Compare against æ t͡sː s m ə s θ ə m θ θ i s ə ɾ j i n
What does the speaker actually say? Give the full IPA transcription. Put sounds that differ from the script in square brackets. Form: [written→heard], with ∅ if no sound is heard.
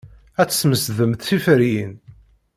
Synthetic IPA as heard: æ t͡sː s m ə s [θ→ð] ə m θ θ i [s→f] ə ɾ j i n